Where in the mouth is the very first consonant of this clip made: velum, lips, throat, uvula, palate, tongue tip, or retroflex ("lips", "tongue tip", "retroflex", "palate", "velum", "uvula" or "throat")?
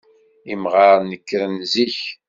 lips